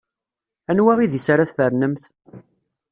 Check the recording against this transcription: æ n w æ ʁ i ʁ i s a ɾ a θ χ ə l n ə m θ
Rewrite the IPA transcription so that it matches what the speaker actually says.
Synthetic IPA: æ n w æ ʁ i ð i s a ɾ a θ f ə ɾ n ə m θ